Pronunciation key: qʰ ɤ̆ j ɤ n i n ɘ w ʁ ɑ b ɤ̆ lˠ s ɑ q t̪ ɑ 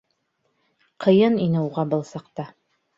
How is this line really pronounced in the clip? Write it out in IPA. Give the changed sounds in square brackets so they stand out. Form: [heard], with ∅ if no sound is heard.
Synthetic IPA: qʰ ɤ̆ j ɤ n i n ɘ [u] ʁ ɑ b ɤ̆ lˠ s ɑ q t̪ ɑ